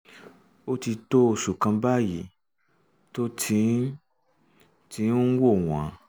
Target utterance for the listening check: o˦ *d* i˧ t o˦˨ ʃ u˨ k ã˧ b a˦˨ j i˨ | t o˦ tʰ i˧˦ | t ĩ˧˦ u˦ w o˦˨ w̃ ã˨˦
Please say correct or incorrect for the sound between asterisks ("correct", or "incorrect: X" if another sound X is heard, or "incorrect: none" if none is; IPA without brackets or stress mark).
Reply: incorrect: t